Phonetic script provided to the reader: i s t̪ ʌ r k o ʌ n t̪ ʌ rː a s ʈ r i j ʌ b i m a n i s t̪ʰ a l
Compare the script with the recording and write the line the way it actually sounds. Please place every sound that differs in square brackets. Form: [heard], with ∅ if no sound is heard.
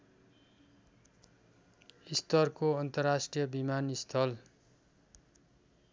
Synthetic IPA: i s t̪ ʌ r k o ʌ n t̪ ʌ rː a s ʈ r i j ʌ b i m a n i s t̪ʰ [ʌ] l